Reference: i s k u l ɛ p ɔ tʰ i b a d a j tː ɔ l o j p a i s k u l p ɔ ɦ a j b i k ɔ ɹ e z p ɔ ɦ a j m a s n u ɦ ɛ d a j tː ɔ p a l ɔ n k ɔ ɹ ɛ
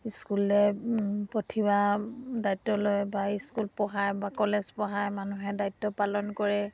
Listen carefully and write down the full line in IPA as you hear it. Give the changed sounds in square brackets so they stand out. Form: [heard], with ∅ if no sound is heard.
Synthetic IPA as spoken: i s k u l ɛ p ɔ tʰ i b a d a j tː ɔ l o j [b] a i s k u l p ɔ ɦ a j b [a] k ɔ [l] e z p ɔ ɦ a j m a [∅] n u ɦ ɛ d a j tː ɔ p a l ɔ n k ɔ ɹ ɛ